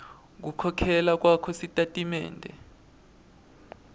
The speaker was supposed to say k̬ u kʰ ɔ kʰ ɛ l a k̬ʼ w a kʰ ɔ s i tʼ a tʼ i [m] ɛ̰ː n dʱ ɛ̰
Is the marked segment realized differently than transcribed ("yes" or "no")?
no